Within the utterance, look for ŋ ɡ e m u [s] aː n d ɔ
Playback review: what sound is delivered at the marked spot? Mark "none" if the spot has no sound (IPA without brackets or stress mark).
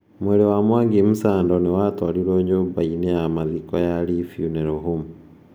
s